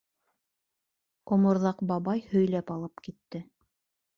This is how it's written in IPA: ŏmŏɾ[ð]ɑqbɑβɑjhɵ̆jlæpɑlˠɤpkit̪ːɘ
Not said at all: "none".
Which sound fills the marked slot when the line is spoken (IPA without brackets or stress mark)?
ð